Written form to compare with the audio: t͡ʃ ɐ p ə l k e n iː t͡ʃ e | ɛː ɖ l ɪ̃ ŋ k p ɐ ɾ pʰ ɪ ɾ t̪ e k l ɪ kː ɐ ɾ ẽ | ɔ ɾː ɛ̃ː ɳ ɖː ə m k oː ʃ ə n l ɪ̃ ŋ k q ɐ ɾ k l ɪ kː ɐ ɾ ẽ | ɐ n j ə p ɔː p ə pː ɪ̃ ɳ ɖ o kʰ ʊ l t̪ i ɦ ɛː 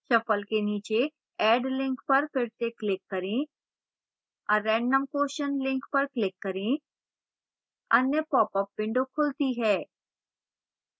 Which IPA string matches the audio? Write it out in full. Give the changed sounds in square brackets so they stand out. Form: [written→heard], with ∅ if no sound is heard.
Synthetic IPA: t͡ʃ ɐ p ə l k e n iː t͡ʃ e | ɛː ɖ l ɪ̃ ŋ k p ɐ ɾ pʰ ɪ ɾ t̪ e k l ɪ kː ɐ ɾ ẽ | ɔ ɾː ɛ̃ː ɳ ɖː ə m k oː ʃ ə n l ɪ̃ ŋ k [q→p] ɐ ɾ k l ɪ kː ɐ ɾ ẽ | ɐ n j ə p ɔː p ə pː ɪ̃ ɳ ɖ o kʰ ʊ l t̪ i ɦ ɛː